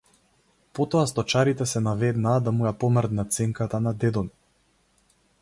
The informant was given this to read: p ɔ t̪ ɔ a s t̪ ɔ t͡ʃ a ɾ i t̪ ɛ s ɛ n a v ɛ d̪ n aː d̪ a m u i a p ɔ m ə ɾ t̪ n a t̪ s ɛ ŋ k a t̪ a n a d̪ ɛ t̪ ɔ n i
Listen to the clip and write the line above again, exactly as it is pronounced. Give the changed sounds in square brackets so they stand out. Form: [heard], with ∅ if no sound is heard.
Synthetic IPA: p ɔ t̪ ɔ a s t̪ ɔ t͡ʃ a ɾ i t̪ ɛ s ɛ n a v ɛ d̪ n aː d̪ a m u [j] a p ɔ m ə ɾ [d̪] n a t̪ s ɛ ŋ k a t̪ a n a d̪ ɛ [d̪] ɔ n i